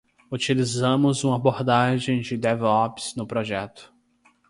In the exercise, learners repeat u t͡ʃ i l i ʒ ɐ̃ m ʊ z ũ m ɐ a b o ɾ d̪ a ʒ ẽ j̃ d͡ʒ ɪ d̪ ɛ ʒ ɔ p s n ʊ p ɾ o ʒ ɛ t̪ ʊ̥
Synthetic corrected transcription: u t͡ʃ i l i z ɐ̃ m ʊ z ũ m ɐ a b o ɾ d̪ a ʒ ẽ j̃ d͡ʒ ɪ d̪ ɛ v ɔ p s n ʊ p ɾ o ʒ ɛ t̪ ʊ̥

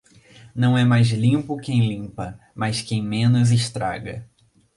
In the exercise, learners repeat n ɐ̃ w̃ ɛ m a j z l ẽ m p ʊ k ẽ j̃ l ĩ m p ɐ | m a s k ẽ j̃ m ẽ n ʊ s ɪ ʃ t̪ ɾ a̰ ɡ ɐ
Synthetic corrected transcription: n ɐ̃ w̃ ɛ m a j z l ĩ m p ʊ k ẽ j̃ l ĩ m p ɐ | m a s k ẽ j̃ m ẽ n ʊ z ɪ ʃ t̪ ɾ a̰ ɡ ɐ

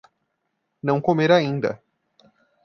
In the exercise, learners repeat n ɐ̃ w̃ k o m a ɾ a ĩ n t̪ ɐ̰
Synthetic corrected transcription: n ɐ̃ w̃ k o m e ɾ a ĩ n d̪ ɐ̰

